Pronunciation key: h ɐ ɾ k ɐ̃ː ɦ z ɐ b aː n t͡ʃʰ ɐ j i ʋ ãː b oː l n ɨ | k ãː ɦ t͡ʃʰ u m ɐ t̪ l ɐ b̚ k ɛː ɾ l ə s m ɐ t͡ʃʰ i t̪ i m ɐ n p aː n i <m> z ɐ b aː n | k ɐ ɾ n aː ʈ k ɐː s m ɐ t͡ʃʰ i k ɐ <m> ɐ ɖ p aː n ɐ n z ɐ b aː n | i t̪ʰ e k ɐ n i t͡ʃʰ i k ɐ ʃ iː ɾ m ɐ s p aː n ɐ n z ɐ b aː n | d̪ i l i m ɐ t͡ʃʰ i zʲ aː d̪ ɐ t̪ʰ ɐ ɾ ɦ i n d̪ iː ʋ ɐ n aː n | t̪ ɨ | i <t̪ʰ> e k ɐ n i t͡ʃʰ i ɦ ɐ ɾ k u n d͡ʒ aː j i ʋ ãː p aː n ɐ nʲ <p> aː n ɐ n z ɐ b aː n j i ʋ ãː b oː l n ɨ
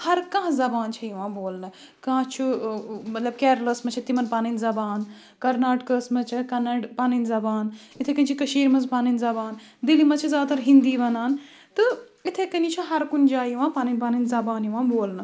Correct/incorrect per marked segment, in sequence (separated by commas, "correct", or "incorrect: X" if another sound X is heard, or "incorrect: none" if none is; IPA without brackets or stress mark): incorrect: n, incorrect: n, correct, correct